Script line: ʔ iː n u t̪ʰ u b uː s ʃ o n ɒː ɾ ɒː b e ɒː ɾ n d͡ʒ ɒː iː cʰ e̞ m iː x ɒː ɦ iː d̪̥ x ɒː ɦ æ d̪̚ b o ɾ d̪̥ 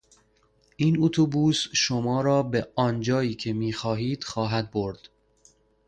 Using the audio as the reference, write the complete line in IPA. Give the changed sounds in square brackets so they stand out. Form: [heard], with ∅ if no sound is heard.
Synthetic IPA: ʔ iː n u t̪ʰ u b uː s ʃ o [m] ɒː ɾ ɒː b e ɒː [∅] n d͡ʒ ɒː iː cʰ e̞ m iː x ɒː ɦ iː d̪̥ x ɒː ɦ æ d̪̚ b o ɾ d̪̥